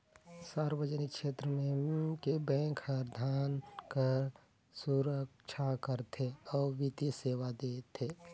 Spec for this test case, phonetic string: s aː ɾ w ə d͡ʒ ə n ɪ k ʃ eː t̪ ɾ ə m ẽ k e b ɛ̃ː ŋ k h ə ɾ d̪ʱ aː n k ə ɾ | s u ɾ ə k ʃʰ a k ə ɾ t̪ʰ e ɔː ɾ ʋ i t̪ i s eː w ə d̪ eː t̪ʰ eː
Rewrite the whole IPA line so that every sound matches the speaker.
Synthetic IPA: s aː ɾ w ə d͡ʒ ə n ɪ k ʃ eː t̪ ɾ ə m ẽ k e b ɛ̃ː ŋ k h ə ɾ d̪ʱ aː n k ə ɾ | s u ɾ ə k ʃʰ a k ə ɾ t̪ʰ e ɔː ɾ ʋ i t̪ i s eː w a d̪ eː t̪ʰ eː